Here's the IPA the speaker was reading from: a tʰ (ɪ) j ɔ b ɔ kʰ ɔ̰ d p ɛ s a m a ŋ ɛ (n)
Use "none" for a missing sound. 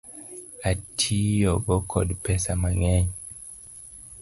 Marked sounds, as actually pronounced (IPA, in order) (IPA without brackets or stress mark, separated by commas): i, ɲ